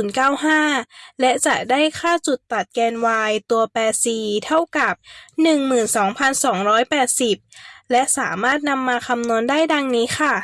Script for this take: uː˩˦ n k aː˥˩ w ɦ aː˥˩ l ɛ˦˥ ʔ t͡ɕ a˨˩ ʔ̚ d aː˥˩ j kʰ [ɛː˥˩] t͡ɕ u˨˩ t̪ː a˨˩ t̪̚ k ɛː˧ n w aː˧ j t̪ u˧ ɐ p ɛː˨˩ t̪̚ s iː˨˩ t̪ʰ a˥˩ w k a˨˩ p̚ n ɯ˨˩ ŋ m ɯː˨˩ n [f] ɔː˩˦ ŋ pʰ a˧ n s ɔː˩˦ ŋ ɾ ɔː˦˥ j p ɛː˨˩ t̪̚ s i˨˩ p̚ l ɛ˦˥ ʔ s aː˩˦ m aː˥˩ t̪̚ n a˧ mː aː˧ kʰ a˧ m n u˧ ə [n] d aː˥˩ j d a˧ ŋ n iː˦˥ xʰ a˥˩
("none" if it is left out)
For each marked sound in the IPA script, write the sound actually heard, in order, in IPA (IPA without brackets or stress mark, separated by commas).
aː˥˩, s, n